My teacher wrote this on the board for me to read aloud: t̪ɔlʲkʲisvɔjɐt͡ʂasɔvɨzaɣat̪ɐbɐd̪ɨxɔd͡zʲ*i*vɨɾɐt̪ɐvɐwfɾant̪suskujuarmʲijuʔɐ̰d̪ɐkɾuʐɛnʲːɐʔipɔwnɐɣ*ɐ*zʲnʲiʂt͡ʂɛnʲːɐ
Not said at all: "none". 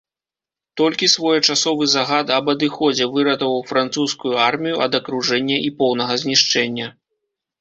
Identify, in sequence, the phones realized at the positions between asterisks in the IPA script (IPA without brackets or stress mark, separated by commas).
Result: ɛ, ɐ